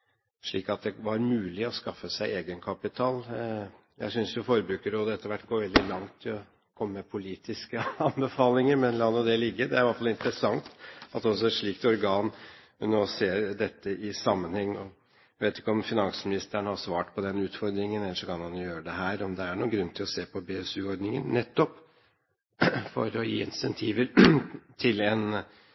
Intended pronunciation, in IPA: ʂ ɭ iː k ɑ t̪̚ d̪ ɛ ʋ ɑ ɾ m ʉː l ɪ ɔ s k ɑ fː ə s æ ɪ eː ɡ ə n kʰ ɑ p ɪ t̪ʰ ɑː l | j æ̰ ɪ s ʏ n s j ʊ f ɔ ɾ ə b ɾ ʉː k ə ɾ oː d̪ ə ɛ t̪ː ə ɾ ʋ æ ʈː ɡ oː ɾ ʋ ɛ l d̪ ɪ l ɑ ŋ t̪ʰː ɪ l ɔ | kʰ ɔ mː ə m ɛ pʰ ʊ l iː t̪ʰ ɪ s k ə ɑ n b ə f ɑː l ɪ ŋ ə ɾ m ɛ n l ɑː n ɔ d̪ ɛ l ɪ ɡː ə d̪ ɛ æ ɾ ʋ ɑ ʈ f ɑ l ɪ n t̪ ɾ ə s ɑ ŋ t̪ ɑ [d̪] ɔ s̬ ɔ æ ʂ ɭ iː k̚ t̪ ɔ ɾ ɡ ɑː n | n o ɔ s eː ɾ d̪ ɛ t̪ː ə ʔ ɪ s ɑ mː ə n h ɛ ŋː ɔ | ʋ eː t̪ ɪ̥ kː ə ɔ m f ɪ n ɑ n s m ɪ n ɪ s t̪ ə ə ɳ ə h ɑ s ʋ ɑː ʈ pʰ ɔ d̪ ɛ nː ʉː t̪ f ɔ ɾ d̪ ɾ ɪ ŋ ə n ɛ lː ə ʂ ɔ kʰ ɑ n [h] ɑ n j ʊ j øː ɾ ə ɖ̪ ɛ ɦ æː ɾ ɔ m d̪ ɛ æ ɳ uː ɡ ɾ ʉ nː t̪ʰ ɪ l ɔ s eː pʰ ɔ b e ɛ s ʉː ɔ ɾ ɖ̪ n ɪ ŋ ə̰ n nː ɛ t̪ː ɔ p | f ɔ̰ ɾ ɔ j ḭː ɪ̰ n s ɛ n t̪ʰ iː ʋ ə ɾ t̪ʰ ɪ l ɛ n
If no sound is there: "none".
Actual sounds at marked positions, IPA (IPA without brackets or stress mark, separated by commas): t̪, h